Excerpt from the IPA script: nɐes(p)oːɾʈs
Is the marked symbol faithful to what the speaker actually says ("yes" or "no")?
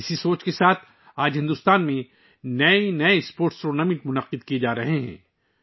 yes